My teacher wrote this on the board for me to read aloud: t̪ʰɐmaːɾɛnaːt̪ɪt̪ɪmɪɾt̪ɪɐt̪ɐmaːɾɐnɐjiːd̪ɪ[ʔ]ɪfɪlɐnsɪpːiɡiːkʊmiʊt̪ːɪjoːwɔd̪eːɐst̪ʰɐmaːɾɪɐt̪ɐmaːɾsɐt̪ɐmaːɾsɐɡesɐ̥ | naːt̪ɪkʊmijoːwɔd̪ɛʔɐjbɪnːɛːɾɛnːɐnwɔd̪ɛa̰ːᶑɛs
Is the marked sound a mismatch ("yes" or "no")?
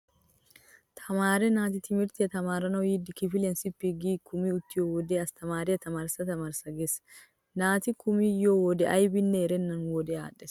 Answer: yes